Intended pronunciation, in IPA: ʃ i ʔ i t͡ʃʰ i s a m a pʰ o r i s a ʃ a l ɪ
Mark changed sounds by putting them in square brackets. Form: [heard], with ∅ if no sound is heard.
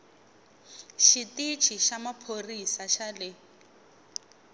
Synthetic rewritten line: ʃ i [t] i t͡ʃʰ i [ʃ] a m a pʰ o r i s a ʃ a l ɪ